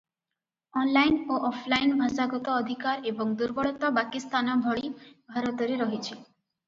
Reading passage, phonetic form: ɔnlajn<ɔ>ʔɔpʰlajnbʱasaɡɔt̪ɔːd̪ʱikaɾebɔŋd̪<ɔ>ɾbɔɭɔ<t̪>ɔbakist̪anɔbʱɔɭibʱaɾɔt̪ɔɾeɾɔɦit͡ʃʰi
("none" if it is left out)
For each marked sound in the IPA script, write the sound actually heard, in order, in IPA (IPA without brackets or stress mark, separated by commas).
o, u, t̪